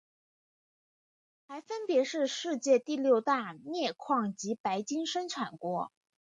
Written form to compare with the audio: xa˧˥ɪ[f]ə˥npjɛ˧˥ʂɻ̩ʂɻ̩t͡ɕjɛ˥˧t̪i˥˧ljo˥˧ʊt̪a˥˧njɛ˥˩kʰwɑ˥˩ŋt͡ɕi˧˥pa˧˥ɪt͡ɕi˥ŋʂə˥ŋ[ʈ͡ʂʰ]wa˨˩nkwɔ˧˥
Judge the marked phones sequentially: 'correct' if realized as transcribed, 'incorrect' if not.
correct, correct

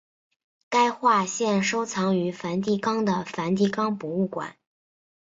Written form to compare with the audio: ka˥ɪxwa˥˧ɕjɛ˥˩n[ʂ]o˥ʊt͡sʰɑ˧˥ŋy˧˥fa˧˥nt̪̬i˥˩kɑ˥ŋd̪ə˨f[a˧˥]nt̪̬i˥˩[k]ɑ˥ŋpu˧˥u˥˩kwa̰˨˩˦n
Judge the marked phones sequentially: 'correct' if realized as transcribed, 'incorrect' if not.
correct, correct, correct

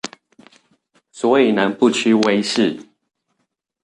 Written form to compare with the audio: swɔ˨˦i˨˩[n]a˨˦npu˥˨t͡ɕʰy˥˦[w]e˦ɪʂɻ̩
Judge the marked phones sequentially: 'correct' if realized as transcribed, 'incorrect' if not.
correct, correct

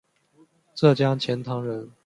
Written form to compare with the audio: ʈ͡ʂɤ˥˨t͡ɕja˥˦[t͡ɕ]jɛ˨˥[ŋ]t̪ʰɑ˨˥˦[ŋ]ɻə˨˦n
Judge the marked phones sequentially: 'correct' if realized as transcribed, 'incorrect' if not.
incorrect, incorrect, correct

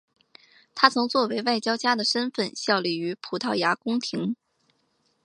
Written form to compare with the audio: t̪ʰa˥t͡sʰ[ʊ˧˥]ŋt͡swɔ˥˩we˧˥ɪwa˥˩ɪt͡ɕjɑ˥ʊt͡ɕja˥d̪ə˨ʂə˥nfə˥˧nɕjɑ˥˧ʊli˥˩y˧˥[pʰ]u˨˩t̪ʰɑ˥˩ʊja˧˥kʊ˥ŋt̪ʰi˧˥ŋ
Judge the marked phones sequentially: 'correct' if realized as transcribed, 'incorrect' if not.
correct, correct

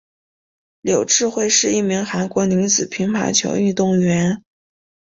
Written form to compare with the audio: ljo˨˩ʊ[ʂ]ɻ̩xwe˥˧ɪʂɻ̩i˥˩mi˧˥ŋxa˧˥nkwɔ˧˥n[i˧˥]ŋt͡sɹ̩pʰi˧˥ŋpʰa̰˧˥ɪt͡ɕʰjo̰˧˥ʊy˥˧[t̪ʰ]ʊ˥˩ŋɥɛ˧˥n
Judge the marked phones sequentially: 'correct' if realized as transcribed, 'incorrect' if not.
incorrect, correct, incorrect

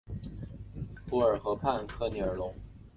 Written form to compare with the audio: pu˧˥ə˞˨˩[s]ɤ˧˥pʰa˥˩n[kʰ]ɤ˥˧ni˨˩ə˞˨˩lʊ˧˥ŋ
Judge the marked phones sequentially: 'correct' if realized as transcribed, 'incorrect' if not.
incorrect, correct

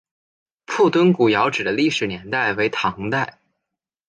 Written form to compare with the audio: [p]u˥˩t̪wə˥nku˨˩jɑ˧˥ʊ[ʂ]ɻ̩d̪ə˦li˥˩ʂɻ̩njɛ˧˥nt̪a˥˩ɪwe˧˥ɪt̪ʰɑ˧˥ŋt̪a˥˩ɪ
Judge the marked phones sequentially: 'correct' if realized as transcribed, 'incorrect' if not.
incorrect, incorrect

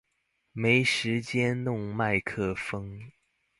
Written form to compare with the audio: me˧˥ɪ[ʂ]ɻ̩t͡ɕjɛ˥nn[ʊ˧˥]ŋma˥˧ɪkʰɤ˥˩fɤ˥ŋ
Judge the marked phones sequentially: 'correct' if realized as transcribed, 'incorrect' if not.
correct, incorrect

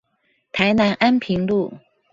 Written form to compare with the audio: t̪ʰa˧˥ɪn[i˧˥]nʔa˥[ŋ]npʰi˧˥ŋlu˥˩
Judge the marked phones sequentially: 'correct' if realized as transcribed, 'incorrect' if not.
incorrect, incorrect

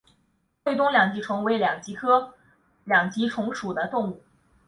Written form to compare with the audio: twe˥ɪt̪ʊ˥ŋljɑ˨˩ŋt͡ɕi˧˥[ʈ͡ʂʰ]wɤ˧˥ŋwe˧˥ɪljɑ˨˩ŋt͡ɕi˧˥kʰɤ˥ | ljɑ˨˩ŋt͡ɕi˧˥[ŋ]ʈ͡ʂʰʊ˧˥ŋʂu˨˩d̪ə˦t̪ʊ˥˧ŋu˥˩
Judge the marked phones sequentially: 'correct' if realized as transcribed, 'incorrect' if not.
correct, incorrect

